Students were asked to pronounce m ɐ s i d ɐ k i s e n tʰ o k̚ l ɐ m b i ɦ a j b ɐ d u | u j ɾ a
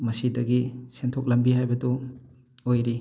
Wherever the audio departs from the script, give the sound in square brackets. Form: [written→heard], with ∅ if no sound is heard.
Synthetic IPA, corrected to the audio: m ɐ s i d ɐ [k→ɡ] i s e n tʰ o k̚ l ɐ m b i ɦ a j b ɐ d u | [u→o] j ɾ [a→i]